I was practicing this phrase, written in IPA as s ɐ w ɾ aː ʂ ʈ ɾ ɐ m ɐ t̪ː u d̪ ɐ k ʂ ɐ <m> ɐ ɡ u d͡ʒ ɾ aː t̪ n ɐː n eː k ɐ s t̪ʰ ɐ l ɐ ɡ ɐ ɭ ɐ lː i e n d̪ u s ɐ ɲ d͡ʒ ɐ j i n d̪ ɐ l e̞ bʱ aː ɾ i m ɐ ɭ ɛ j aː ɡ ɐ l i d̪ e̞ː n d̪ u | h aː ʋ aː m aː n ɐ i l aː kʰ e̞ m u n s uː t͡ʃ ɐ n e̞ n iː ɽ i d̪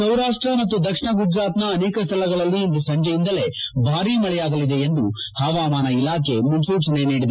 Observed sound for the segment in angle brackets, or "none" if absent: ɳ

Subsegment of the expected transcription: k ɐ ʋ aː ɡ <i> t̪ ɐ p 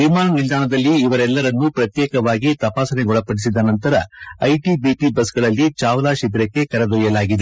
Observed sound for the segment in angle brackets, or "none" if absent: i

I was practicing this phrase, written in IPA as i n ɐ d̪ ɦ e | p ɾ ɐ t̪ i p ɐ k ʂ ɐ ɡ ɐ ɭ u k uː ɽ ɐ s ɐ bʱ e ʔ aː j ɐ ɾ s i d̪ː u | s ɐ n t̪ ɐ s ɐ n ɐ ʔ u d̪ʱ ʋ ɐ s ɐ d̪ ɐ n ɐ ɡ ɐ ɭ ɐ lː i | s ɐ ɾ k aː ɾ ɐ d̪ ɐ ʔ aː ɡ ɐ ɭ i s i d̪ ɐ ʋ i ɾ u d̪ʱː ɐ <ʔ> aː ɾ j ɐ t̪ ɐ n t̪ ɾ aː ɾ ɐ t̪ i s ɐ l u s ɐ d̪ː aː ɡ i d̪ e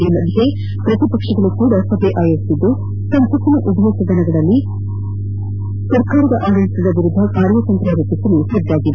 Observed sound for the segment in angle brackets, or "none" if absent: k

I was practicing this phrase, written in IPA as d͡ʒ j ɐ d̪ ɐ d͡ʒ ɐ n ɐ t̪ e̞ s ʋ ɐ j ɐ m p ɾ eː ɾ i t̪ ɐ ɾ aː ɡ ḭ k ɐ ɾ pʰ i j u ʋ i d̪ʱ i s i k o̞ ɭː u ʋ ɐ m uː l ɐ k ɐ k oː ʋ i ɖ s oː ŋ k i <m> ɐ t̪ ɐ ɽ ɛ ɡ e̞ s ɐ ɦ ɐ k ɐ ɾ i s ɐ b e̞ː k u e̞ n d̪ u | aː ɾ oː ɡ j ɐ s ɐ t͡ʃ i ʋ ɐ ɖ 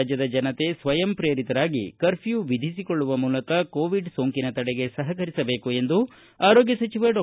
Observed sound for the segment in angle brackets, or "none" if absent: n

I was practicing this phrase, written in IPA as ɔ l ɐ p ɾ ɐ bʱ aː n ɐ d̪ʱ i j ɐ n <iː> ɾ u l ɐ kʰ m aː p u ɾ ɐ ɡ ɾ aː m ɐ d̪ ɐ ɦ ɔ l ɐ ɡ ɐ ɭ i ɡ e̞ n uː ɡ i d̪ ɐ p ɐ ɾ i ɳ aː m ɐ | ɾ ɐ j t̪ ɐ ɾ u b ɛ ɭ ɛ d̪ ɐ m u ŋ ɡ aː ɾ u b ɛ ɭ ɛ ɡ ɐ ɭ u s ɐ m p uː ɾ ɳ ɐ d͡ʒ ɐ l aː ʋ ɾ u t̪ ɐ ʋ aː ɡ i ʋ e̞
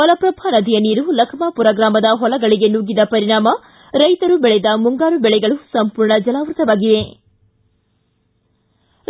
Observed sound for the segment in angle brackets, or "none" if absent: iː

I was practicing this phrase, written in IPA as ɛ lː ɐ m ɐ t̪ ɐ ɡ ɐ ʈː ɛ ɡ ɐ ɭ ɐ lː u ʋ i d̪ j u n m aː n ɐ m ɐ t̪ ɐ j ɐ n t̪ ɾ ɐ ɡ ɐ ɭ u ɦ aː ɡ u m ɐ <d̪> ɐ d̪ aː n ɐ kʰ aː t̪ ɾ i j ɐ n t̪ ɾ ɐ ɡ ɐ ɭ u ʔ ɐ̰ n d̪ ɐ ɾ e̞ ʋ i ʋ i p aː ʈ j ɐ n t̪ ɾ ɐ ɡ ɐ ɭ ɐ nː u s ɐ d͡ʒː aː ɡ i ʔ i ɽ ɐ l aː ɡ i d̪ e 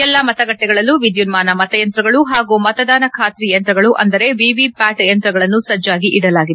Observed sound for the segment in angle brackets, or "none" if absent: t̪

